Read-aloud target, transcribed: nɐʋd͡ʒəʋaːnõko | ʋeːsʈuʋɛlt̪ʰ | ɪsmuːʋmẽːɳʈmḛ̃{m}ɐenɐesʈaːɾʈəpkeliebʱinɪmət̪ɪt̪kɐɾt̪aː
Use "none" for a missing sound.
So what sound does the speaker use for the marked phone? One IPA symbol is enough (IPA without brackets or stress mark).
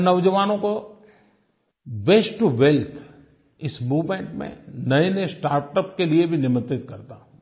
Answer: n